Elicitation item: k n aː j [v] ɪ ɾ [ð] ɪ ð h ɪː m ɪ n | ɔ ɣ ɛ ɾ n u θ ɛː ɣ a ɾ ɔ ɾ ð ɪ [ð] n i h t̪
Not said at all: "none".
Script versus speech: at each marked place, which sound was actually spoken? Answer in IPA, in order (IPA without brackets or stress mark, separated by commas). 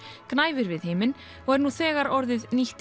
v, v, ð